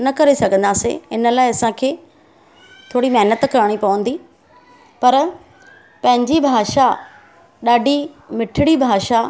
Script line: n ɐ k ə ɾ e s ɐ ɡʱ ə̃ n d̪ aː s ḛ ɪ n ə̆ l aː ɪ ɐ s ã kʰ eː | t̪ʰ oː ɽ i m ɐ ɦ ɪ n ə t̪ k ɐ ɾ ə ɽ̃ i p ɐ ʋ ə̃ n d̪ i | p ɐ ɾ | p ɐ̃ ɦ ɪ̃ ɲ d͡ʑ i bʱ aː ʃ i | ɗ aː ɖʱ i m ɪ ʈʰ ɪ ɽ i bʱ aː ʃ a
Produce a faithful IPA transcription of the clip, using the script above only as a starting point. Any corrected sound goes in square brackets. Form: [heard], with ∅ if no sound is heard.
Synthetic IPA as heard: n ɐ k [ɐ] ɾ e s ɐ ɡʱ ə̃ n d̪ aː s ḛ ɪ n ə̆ l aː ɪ ɐ s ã kʰ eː | t̪ʰ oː ɽ i m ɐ ɦ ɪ n ə t̪ k ɐ ɾ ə ɽ̃ i p ɐ ʋ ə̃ n d̪ i | p ɐ ɾ | p ɐ̃ ɦ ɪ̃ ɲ d͡ʑ i bʱ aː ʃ [a] | ɗ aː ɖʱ i m ɪ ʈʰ ɪ ɽ i bʱ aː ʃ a

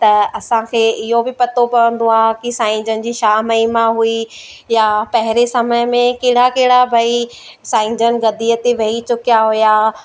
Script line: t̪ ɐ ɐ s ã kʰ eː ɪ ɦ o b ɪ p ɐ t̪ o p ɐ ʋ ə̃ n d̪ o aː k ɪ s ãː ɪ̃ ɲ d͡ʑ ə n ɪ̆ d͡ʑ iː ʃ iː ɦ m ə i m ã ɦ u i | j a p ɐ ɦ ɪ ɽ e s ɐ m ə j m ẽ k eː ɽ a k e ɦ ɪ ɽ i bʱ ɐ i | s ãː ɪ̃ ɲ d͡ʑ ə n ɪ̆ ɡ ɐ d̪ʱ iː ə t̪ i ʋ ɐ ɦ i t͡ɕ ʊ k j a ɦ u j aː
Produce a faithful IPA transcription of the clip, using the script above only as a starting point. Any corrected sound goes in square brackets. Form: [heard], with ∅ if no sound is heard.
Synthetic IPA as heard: t̪ ɐ ɐ s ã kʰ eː ɪ ɦ o b ɪ p ɐ t̪ o p ɐ ʋ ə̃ n d̪ o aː k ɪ s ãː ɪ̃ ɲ d͡ʑ ə n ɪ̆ d͡ʑ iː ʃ [aː] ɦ m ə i m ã ɦ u i | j a p ɐ ɦ ɪ [ɾ] e s ɐ m ə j m ẽ k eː ɽ a k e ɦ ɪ ɽ [a] bʱ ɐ i | s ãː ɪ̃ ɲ d͡ʑ ə n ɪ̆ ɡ ɐ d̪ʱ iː ə t̪ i ʋ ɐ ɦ i t͡ɕ ʊ k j a ɦ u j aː

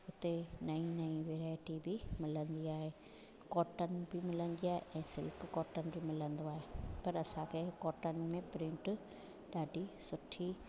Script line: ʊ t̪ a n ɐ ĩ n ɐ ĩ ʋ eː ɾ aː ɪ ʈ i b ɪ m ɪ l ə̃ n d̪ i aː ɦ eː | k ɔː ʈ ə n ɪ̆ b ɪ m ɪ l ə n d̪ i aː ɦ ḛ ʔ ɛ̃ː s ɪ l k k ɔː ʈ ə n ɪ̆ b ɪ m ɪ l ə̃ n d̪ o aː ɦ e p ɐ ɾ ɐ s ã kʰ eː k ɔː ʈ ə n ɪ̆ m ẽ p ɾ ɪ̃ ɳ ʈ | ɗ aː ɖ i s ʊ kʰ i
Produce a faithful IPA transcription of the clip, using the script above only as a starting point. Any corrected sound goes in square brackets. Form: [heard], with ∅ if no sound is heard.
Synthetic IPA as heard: ʊ t̪ [e] n ɐ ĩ n ɐ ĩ ʋ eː ɾ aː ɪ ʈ i b ɪ m ɪ l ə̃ n d̪ i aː ɦ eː | k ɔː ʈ ə n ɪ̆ b ɪ m ɪ l ə n d̪ i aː ɦ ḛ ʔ ɛ̃ː s ɪ l k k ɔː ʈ ə n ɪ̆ b ɪ m ɪ l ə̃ n d̪ o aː ɦ e p ɐ ɾ ɐ s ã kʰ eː k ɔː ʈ ə n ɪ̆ m ẽ p ɾ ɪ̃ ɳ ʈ | ɗ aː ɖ i s ʊ [ʈʰ] i

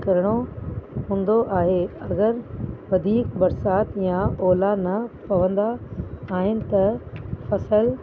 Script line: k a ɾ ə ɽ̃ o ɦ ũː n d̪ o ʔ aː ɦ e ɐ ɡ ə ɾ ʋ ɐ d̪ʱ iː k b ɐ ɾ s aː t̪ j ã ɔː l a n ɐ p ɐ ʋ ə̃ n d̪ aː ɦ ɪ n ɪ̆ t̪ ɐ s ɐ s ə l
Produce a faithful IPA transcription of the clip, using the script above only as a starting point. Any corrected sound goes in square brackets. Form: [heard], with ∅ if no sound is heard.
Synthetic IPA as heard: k [ɐ] ɾ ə ɽ̃ o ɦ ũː n d̪ o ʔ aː ɦ e ɐ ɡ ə ɾ ʋ ɐ d̪ʱ iː k b ɐ ɾ s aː t̪ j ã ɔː l a n ɐ p ɐ ʋ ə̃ n d̪ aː ɦ ɪ n ɪ̆ t̪ ɐ [f] ɐ s ə l

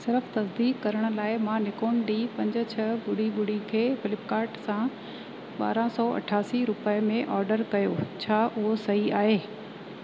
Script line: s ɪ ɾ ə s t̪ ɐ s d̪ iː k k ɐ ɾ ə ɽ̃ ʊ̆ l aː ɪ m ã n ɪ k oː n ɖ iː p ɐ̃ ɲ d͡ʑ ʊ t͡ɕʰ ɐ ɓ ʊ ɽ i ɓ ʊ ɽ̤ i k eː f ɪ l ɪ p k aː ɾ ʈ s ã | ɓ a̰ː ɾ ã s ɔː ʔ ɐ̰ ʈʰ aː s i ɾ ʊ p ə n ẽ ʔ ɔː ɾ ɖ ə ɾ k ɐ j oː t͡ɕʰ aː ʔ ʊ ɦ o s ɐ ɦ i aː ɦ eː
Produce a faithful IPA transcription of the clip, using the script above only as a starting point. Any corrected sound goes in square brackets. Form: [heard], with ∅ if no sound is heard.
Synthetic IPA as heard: s ɪ ɾ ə [f] t̪ ɐ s d̪ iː k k ɐ ɾ ə ɽ̃ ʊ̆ l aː ɪ m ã n ɪ k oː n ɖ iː p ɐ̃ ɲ d͡ʑ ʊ t͡ɕʰ ɐ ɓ ʊ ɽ i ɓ ʊ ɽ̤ i [kʰ] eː f ɪ l ɪ p k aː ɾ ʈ s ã | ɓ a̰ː ɾ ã s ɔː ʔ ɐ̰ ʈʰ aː s i ɾ ʊ p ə [m] ẽ ʔ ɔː ɾ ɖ ə ɾ k ɐ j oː t͡ɕʰ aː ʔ ʊ ɦ o s ɐ ɦ i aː ɦ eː

